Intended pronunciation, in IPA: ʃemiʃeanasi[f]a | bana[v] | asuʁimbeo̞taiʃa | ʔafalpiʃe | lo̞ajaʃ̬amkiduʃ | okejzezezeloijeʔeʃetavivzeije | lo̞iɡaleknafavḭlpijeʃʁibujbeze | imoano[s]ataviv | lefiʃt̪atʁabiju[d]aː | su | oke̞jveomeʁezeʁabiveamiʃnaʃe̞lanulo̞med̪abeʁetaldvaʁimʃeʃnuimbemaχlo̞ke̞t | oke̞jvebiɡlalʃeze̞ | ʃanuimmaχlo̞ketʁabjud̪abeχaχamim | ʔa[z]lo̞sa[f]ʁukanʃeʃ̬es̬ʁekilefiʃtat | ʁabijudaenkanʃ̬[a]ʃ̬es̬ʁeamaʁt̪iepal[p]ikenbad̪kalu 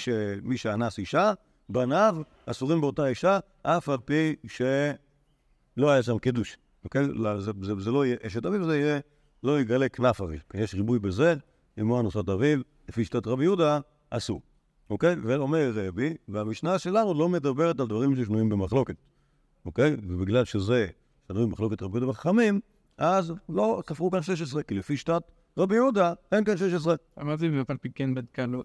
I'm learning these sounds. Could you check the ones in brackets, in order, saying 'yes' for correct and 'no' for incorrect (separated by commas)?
no, yes, yes, yes, yes, yes, no, yes